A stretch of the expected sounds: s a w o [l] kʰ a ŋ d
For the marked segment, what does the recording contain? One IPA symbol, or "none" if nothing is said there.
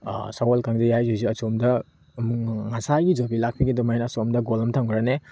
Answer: l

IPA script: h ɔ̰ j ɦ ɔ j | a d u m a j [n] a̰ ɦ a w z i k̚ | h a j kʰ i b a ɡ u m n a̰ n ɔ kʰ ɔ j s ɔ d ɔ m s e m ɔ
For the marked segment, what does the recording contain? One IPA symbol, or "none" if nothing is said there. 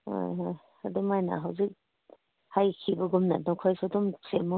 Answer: n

